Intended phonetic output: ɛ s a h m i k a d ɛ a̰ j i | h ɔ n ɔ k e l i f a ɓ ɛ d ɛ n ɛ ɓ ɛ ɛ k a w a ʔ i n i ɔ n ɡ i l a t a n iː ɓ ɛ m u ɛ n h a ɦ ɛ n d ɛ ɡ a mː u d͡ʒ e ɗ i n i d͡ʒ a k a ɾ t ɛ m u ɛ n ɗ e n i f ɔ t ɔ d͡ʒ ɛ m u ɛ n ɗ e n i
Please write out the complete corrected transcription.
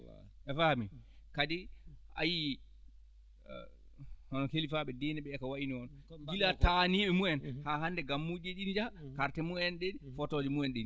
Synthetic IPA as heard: ɛ f a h m i k a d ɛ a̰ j i | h ɔ n ɔ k e l i f a ɓ ɛ d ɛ n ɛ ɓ ɛ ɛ k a w a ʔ i n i ɔ n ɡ i l a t a n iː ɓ ɛ m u ɛ n h a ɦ a n d ɛ ɡ a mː u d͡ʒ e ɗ i n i d͡ʒ a k a ɾ t ɛ m u ɛ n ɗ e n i f ɔ t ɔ d͡ʒ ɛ m u ɛ n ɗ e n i